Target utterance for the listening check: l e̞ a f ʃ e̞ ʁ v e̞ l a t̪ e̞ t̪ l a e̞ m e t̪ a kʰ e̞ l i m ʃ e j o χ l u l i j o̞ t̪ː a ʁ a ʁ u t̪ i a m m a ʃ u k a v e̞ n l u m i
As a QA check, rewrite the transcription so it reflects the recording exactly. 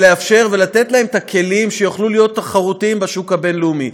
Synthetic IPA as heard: l e̞ a f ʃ e̞ ʁ v e̞ l a t̪ e̞ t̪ l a e̞ m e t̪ a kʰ e̞ l i m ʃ e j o χ l u l i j o̞ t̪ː a χ a ʁ u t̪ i i m b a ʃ u k a b e̞ n l u m i